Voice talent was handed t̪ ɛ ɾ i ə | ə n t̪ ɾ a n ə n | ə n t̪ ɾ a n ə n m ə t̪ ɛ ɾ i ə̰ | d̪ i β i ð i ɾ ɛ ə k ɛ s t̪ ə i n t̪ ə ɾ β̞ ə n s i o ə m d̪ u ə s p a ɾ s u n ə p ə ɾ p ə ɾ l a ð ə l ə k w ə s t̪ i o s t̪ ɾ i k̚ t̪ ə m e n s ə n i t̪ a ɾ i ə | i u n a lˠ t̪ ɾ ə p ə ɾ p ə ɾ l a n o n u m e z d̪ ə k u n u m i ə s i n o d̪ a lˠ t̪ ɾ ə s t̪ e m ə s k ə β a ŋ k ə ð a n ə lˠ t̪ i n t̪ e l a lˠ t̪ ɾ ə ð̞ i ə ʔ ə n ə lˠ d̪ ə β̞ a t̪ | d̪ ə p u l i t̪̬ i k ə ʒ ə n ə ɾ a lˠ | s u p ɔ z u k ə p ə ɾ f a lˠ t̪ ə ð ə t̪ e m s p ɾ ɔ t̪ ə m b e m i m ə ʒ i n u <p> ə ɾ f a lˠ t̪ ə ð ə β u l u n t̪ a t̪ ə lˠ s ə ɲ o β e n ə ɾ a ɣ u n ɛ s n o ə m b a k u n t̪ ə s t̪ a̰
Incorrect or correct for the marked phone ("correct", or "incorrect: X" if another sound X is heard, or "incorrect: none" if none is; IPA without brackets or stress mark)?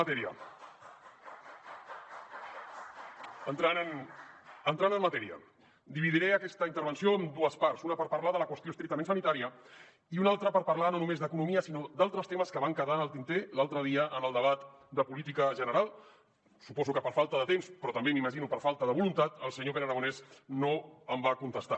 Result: correct